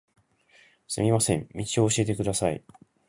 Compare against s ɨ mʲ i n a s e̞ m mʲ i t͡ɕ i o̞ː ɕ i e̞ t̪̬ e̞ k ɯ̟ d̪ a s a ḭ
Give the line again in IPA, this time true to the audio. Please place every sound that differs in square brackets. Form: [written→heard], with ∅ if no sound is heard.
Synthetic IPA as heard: s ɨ mʲ i [n→m] a s [e̞→ẽ̞] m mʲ i t͡ɕ i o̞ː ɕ i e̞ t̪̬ e̞ k ɯ̟ d̪ a s a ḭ